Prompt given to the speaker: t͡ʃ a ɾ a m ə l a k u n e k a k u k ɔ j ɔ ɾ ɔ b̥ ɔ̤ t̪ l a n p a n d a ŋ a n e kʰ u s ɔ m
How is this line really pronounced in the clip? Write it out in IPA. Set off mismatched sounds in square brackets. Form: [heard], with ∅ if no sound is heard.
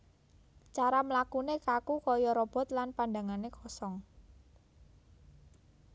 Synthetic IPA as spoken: t͡ʃ a ɾ a m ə l a k u n e k a k u k ɔ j ɔ ɾ ɔ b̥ ɔ̤ t̪ l a n p a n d a ŋ a n e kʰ [ɔ] s ɔ [ŋ]